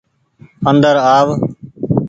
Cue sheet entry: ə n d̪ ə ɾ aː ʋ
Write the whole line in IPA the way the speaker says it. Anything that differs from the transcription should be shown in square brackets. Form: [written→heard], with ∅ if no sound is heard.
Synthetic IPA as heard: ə n d̪ ə ɾ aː ʋ